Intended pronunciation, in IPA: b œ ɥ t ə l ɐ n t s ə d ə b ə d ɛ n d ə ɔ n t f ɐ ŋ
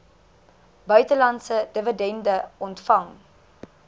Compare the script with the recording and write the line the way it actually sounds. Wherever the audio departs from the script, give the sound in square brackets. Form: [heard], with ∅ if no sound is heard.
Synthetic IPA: b œ ɥ t ə l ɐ n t s ə d ə [v] ə d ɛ n d ə ɔ n t f ɐ ŋ